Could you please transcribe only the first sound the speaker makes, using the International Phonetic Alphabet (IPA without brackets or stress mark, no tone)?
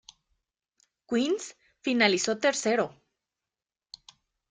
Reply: k